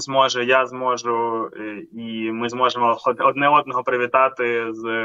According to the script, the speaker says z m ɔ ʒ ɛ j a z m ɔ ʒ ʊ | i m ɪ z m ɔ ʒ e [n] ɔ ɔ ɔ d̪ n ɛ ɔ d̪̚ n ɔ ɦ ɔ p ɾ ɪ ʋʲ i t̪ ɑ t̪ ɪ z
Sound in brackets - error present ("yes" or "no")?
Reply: yes